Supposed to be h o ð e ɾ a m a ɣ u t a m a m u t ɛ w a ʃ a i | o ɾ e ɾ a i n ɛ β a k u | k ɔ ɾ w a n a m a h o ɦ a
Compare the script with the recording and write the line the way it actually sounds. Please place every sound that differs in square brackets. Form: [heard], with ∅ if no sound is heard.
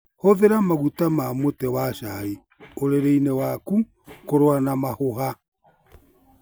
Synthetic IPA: h o ð e ɾ a m a ɣ u t a m a m [o] t ɛ w a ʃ a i | o ɾ e ɾ [e] i n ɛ [w] a k u | k [o] ɾ w a n a m a h o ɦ a